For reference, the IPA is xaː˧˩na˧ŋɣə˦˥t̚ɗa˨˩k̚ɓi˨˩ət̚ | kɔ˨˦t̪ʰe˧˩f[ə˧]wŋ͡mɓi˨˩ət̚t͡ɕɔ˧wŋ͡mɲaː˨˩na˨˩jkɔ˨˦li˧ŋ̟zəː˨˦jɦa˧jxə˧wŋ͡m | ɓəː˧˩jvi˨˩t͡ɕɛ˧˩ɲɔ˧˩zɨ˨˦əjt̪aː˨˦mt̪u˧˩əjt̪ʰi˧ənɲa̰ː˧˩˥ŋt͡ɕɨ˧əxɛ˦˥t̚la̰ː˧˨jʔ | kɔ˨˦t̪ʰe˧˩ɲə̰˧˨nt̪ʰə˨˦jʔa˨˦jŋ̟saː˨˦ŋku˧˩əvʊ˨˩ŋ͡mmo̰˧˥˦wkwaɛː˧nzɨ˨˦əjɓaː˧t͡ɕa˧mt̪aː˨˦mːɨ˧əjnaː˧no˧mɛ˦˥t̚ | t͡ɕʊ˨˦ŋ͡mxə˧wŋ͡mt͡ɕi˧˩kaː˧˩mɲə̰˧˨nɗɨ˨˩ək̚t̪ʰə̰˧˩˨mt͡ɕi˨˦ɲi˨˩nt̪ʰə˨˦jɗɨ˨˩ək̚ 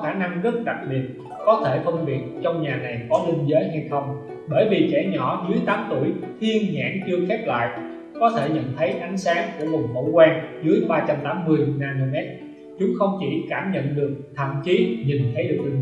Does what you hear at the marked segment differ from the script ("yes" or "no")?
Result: no